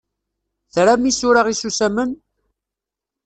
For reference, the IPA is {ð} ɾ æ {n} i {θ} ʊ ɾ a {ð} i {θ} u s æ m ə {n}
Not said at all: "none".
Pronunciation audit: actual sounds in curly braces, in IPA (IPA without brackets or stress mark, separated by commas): θ, m, s, ʁ, s, n